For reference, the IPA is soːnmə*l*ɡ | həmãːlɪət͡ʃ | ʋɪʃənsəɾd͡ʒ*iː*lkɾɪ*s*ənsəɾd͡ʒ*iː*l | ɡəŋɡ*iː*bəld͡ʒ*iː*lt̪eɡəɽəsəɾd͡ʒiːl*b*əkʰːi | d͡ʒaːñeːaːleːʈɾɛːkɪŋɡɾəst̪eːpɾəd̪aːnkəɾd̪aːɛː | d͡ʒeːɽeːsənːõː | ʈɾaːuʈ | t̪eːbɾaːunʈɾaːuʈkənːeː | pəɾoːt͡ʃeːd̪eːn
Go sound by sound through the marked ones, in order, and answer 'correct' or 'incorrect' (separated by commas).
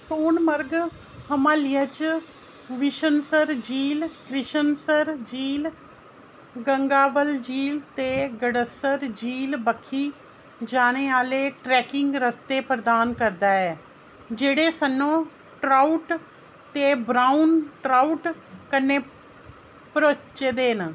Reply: incorrect, correct, incorrect, correct, incorrect, correct, correct